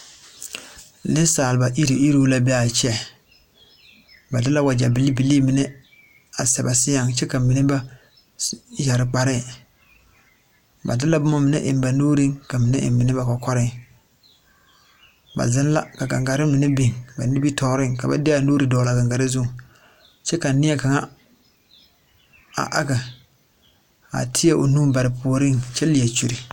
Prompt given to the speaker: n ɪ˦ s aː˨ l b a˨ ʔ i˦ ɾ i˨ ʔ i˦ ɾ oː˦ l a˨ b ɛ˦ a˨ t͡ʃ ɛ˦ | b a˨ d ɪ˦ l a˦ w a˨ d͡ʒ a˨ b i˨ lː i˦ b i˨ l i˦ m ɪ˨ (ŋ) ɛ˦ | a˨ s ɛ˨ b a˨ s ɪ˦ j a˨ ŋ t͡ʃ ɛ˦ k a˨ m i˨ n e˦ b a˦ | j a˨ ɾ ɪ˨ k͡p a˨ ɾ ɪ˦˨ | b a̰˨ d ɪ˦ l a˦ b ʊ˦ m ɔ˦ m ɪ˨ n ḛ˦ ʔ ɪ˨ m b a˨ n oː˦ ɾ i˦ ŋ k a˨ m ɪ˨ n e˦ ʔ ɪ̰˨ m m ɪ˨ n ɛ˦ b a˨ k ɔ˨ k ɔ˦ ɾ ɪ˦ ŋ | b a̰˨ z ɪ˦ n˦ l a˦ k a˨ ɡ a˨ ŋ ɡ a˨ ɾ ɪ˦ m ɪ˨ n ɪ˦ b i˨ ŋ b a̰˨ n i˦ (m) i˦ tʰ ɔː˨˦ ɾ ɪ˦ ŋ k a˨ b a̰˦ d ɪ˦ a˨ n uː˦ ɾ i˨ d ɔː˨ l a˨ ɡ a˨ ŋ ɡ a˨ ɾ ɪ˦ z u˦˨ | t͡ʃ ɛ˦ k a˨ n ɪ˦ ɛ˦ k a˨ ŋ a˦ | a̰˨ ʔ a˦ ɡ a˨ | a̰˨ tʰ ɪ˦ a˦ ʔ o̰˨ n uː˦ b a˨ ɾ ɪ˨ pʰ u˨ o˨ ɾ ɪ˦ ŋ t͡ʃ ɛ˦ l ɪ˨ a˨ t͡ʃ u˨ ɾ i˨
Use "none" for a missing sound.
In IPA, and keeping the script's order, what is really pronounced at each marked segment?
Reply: n, b

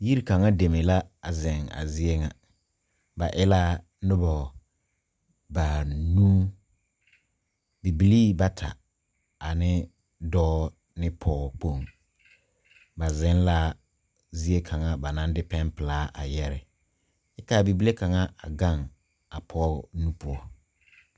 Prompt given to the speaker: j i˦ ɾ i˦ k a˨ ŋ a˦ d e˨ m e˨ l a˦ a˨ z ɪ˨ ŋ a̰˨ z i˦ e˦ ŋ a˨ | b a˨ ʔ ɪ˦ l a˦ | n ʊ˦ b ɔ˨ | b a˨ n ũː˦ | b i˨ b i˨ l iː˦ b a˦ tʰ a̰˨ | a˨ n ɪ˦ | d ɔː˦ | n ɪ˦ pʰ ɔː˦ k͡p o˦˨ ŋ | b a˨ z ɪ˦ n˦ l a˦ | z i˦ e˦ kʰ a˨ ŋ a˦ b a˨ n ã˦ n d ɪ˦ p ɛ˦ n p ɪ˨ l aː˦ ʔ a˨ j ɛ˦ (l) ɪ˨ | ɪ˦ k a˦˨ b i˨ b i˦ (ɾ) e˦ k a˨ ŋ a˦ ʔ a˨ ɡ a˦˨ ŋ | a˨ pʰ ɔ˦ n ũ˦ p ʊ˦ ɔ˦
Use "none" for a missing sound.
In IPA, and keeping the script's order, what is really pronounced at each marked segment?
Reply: ɾ, l

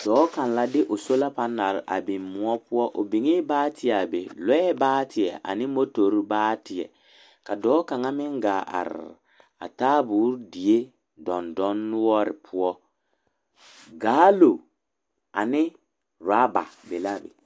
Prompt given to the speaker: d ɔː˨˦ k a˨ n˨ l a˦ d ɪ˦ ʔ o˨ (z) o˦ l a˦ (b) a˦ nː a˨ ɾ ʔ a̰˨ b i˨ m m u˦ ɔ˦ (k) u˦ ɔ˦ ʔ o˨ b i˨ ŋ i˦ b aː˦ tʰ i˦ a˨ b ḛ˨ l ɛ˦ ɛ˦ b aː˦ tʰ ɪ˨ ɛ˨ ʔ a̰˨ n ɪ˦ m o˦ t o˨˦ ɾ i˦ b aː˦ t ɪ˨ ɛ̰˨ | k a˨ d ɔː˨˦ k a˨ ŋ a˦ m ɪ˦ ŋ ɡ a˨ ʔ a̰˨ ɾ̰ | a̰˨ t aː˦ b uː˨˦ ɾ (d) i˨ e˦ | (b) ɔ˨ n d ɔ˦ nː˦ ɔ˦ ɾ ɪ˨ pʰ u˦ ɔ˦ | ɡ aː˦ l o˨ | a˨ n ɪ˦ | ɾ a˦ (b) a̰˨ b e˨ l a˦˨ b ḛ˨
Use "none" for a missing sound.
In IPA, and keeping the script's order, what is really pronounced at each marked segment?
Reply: s, p, p, d, d, b

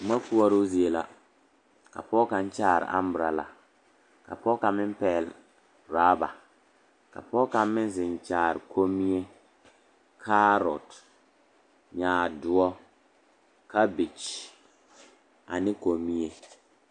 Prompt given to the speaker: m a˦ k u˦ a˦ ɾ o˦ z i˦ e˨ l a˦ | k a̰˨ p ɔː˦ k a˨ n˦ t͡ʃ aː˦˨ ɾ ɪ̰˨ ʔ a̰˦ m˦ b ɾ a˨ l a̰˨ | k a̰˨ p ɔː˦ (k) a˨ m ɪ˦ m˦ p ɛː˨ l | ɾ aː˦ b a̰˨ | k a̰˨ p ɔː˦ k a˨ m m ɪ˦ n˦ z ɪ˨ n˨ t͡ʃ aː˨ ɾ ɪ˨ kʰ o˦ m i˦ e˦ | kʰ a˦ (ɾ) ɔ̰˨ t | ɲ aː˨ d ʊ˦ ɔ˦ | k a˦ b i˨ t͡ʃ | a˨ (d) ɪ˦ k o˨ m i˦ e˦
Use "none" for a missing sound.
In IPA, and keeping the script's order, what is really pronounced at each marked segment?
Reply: k, ɾ, n

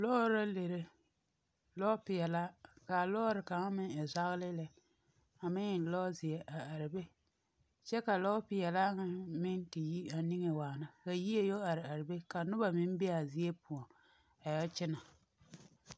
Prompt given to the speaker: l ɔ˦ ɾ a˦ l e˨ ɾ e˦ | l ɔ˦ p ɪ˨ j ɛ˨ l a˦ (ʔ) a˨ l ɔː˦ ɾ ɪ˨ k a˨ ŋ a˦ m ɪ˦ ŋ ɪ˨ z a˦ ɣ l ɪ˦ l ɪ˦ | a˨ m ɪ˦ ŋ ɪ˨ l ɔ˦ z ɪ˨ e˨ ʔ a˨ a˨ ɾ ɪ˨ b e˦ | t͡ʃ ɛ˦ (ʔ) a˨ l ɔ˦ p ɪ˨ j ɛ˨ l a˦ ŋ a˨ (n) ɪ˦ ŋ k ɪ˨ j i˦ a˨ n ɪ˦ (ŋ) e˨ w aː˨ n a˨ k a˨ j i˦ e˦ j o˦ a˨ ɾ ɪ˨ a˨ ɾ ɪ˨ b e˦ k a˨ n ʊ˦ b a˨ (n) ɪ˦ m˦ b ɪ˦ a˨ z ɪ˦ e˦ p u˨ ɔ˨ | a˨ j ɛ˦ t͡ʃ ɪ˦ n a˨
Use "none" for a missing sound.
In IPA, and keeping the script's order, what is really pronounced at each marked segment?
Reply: k, k, m, ŋ, m

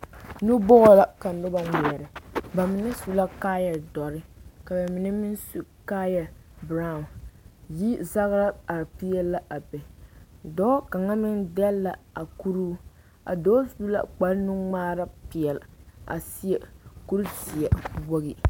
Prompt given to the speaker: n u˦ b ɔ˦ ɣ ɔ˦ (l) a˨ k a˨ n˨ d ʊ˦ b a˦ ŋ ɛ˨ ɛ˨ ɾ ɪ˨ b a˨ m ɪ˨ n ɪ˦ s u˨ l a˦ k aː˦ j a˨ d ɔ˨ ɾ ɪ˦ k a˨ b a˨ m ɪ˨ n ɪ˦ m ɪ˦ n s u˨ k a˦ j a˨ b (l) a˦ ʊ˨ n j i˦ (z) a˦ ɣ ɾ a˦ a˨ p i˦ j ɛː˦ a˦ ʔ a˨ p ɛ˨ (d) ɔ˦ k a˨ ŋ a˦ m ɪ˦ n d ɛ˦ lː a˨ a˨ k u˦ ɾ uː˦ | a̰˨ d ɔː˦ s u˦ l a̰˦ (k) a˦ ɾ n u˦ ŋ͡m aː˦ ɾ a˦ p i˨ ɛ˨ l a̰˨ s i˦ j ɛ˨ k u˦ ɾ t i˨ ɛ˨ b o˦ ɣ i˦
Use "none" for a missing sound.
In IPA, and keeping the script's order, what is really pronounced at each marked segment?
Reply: l, ɾ, z, d, k͡p

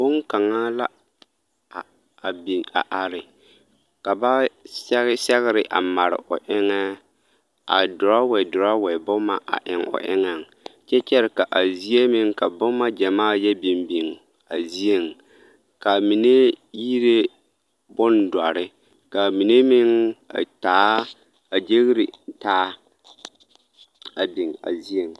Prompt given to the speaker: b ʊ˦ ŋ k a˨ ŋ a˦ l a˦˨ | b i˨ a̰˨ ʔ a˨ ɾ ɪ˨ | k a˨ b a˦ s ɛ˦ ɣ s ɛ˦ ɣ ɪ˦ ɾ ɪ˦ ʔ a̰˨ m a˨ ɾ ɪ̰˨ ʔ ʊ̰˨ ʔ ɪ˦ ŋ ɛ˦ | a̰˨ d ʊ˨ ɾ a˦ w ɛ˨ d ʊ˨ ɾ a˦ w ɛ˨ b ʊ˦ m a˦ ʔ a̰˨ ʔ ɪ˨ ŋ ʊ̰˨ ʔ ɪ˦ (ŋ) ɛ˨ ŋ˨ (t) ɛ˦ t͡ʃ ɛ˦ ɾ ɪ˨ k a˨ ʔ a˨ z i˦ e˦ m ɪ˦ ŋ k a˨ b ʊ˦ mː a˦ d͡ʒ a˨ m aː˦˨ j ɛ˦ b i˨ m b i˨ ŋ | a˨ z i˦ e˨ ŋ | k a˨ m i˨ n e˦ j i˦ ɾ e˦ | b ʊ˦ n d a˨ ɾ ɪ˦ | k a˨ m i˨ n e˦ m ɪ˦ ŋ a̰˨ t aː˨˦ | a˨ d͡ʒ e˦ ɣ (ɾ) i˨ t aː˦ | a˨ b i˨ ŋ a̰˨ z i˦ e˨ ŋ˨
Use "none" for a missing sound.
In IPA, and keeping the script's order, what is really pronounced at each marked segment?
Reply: ŋ, t͡ʃ, ɾ

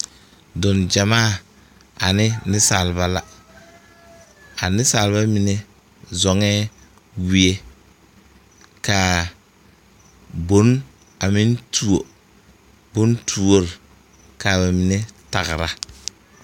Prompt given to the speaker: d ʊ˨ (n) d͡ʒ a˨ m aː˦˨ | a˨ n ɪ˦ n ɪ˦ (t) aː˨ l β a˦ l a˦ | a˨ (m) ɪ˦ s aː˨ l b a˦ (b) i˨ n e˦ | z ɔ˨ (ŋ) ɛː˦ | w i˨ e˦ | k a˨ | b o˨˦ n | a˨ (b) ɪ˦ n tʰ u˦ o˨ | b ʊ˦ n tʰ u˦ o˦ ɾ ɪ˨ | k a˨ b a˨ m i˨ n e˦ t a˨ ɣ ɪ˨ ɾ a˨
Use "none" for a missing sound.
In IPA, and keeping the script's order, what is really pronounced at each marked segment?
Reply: n, s, n, m, ŋ, m

